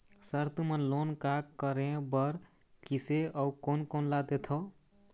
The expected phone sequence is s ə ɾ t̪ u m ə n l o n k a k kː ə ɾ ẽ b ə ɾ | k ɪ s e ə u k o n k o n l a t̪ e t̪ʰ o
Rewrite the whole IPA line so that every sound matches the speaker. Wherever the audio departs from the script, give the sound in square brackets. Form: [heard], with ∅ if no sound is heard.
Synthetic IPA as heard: s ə ɾ t̪ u m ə n l o n k a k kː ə ɾ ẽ b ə ɾ | k [i] s e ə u k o n k o n l a [d̪] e t̪ʰ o